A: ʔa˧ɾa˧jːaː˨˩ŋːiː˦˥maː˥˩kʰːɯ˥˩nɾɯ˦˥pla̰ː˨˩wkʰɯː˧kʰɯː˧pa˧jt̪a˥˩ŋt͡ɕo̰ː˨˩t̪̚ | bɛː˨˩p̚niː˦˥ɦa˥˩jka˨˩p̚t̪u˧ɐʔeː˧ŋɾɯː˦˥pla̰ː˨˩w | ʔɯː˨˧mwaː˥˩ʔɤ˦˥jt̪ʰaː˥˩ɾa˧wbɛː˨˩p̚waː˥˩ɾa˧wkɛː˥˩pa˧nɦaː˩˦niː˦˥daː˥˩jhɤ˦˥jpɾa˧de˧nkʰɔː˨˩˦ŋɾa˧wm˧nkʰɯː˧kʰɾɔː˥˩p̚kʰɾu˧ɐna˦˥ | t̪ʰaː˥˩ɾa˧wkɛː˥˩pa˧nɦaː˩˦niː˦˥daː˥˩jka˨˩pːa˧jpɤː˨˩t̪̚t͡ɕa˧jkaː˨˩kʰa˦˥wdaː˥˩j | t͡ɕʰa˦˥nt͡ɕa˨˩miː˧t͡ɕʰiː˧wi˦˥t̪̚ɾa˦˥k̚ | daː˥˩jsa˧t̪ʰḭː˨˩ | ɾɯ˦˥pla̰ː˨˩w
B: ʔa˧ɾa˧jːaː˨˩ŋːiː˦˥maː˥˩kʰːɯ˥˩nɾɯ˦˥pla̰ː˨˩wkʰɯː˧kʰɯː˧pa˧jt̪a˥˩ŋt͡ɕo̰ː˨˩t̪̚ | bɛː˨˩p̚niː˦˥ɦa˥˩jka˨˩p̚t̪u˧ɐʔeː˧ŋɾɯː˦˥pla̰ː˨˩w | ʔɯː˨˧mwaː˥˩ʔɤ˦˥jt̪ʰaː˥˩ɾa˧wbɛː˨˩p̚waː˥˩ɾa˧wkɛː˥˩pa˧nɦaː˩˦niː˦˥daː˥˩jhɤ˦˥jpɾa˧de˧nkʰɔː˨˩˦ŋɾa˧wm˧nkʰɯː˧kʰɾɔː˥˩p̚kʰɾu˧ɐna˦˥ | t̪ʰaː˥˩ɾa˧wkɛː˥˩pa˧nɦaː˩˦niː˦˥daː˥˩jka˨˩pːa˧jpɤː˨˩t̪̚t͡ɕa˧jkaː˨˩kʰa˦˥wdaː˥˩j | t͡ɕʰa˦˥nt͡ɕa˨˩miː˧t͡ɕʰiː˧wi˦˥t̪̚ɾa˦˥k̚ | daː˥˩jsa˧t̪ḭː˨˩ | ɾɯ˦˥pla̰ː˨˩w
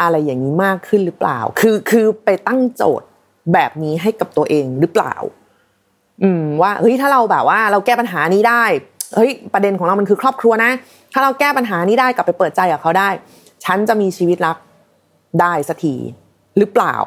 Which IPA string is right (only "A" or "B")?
A